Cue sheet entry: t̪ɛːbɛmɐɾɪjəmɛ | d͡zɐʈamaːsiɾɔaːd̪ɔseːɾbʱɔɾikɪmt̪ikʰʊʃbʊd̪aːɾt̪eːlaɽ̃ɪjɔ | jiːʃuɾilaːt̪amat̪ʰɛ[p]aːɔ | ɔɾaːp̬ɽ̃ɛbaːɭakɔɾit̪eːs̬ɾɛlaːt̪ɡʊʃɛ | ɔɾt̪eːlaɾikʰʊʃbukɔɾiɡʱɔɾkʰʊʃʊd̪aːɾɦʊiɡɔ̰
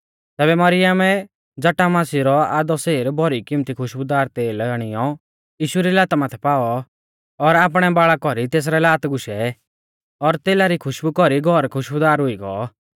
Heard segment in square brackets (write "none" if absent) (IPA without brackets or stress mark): p